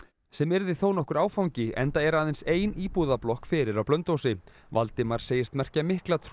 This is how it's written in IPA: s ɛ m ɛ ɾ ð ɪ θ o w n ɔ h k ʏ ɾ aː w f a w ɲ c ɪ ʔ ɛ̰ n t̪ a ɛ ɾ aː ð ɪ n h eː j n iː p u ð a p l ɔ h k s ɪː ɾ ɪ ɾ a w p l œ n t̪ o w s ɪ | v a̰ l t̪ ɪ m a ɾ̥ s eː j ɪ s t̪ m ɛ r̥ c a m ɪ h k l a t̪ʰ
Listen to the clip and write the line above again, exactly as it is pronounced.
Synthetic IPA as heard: s ɛ m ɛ ɾ ð ɪ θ o w n ɔ h k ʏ ɾ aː w f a w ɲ c ɪ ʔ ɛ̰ n t̪ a ɛ ɾ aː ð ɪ n s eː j n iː p u ð a p l ɔ h k f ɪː ɾ ɪ ɾ a w p l œ n t̪ o w s ɪ | v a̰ l t̪ ɪ m a ɾ̥ s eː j ɪ s t̪ m ɛ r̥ c a m ɪ h k l a t̪ʰ